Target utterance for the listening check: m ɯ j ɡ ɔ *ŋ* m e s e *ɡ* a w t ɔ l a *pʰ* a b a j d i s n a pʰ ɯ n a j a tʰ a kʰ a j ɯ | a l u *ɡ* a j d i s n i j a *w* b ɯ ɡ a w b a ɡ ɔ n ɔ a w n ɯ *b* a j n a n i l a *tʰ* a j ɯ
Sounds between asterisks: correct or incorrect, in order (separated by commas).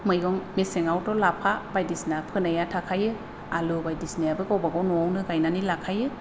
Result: correct, incorrect, correct, incorrect, incorrect, incorrect, incorrect